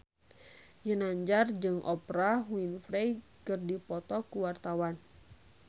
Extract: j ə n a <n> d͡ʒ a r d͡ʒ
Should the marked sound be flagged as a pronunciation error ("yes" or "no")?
yes